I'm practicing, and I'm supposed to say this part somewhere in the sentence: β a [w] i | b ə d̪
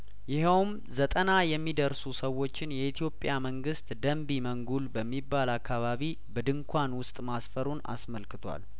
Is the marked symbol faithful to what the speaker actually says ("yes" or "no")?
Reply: no